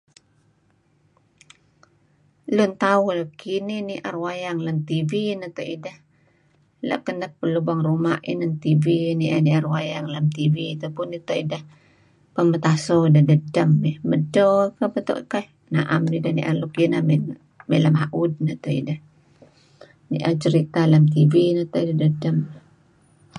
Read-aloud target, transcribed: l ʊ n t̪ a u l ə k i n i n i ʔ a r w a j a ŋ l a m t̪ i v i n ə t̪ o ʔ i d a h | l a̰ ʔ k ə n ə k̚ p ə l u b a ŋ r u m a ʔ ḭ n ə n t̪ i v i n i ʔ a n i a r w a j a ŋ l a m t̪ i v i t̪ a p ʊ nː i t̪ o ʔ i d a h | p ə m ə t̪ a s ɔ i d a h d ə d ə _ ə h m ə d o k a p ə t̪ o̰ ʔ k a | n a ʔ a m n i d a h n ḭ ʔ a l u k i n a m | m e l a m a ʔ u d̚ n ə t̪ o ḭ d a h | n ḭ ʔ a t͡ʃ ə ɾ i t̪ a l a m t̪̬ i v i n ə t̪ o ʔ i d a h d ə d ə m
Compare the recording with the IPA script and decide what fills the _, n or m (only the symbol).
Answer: m